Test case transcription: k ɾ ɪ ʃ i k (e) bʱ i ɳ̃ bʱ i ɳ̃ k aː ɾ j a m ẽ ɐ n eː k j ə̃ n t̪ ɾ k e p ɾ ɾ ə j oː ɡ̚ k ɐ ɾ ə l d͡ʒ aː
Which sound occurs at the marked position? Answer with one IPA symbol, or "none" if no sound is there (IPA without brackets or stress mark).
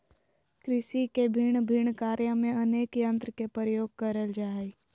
e